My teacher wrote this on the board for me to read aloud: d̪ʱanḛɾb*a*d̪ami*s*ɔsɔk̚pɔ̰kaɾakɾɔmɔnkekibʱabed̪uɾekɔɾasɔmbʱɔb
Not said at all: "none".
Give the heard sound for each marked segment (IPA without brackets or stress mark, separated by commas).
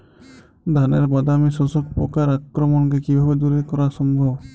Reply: a, s